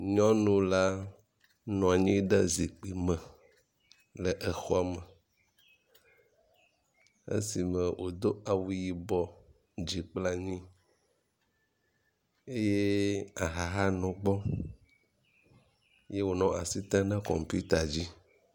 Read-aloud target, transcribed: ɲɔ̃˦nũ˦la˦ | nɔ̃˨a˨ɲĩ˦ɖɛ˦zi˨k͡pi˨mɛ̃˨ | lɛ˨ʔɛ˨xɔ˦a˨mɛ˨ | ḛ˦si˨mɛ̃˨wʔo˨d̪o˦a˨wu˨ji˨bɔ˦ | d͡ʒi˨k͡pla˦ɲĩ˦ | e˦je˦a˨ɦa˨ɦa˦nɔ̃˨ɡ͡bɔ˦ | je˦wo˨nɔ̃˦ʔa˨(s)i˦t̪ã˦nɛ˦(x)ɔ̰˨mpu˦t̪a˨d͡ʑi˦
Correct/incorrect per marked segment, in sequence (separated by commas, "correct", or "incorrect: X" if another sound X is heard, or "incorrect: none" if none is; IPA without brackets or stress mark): correct, incorrect: k